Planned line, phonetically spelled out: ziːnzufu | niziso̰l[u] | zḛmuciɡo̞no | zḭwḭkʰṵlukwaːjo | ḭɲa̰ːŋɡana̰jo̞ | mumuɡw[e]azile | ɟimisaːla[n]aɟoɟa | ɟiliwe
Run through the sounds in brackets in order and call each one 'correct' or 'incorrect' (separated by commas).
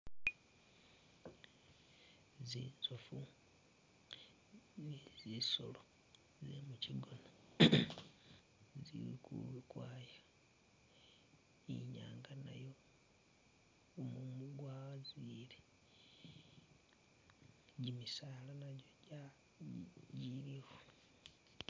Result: incorrect, incorrect, correct